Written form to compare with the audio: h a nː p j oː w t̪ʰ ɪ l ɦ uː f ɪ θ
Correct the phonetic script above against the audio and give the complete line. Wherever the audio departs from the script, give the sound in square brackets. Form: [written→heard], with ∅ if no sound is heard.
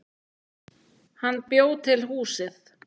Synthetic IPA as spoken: h a nː p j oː w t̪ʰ ɪ l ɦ uː [f→s] ɪ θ